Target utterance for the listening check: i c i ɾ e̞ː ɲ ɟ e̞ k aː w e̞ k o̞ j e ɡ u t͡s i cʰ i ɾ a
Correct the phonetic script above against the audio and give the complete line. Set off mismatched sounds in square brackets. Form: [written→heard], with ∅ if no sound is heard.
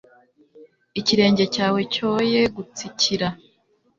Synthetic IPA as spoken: i c i ɾ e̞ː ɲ ɟ e̞ [k→c] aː w e̞ [k→c] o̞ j e ɡ u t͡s i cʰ i ɾ a